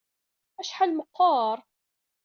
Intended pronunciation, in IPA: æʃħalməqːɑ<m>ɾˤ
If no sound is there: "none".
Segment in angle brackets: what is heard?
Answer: none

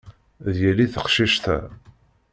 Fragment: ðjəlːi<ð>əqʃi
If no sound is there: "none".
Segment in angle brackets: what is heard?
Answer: θ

